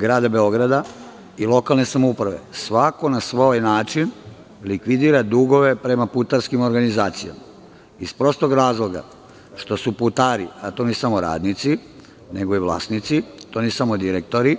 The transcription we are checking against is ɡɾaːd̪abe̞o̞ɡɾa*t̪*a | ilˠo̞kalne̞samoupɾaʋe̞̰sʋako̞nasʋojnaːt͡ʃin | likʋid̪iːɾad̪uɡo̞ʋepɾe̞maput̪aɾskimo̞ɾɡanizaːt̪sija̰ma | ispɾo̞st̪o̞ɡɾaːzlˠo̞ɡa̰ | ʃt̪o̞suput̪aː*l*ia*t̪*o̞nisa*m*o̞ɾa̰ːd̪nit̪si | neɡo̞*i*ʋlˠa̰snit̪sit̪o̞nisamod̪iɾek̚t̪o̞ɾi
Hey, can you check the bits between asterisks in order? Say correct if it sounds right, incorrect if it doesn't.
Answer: incorrect, incorrect, correct, correct, correct

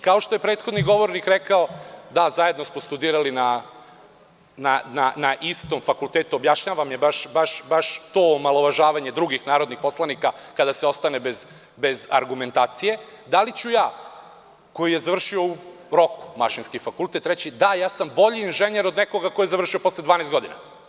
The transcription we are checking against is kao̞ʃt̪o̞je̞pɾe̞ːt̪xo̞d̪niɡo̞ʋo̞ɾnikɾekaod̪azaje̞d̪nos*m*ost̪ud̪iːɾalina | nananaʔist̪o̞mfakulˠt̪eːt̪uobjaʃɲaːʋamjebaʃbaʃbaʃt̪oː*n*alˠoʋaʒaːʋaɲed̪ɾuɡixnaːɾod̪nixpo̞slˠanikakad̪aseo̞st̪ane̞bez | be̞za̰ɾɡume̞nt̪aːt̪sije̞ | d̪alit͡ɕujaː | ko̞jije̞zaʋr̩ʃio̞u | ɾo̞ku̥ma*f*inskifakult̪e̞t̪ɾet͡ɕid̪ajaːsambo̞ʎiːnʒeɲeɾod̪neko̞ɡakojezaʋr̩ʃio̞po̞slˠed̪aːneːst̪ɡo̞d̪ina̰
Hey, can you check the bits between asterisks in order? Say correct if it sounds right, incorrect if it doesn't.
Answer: correct, incorrect, incorrect

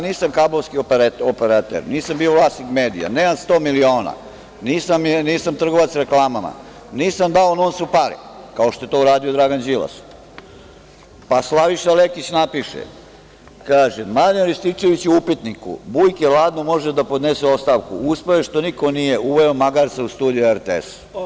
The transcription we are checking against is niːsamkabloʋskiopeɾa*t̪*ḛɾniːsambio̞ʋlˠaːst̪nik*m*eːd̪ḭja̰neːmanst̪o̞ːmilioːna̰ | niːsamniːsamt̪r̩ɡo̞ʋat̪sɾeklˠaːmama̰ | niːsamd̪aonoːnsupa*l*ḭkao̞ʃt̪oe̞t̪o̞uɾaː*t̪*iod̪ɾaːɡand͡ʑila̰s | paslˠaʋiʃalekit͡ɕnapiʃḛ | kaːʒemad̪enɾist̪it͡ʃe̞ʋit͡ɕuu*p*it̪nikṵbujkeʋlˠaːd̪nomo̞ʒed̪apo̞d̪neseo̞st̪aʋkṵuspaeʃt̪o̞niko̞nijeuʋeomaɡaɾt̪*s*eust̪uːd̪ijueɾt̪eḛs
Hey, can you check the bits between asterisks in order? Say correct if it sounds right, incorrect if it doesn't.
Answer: correct, correct, incorrect, incorrect, correct, correct

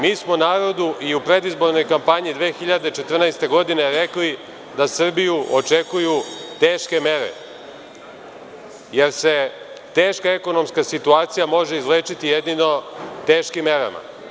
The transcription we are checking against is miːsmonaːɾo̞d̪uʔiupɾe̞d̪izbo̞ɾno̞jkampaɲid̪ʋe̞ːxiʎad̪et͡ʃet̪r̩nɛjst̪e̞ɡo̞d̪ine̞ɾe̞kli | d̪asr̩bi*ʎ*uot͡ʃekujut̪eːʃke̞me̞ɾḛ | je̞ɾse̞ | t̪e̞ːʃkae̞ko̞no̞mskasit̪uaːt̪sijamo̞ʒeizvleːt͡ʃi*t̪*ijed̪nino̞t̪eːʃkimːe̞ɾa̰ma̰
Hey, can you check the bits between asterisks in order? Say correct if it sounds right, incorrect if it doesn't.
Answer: incorrect, correct

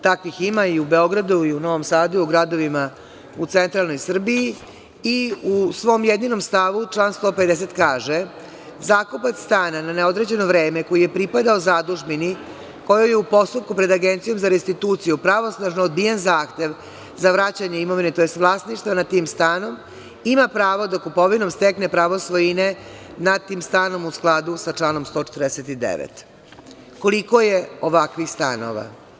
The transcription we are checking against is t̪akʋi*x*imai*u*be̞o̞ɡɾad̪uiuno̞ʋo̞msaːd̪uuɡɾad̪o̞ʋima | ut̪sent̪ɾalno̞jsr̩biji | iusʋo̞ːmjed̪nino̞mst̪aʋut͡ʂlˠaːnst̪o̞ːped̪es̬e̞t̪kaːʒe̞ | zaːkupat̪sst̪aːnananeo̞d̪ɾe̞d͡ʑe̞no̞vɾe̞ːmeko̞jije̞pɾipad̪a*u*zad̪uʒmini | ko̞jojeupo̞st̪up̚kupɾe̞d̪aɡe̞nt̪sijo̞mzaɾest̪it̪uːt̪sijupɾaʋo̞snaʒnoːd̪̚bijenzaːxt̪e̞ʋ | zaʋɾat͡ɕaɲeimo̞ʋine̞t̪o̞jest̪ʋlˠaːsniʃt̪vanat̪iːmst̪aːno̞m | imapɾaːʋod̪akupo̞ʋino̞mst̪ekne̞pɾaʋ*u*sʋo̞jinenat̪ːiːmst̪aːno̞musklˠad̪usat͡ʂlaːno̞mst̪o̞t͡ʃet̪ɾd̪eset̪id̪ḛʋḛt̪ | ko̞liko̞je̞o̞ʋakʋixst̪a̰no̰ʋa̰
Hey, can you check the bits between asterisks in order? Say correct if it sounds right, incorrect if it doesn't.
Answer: correct, correct, incorrect, incorrect

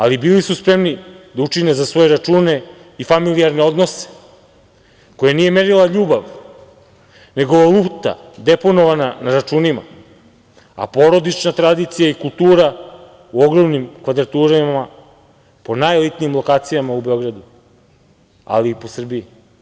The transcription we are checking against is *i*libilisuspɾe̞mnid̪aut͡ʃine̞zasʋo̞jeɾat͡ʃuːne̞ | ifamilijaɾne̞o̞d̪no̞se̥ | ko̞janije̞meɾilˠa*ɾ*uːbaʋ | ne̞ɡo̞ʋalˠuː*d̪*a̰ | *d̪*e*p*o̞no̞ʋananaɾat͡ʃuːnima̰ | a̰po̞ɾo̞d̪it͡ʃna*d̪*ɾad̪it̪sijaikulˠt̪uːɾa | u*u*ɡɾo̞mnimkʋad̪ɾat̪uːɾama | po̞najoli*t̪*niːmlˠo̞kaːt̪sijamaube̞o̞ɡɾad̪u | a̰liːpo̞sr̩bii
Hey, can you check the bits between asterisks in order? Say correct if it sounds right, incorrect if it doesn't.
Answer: incorrect, incorrect, incorrect, correct, correct, incorrect, incorrect, correct

